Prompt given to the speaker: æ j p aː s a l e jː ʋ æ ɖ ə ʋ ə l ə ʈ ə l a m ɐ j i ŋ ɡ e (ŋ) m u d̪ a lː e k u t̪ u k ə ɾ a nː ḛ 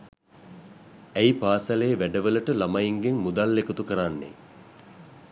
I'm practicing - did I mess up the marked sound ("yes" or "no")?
no